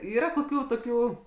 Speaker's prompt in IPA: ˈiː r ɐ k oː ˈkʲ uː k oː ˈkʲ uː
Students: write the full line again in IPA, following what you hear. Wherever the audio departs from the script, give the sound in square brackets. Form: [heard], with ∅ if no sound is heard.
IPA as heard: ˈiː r ɐ k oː ˈkʲ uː [t] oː ˈkʲ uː